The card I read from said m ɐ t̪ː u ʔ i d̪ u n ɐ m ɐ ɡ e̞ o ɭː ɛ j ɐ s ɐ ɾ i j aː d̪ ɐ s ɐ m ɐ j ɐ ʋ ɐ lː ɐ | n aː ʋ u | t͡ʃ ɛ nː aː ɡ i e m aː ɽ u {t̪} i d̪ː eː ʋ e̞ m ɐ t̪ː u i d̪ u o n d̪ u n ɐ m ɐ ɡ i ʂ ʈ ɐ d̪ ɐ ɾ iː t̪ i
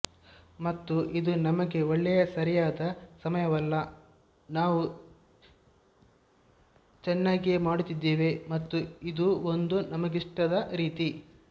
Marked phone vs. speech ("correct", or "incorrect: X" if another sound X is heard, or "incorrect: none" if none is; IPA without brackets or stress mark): correct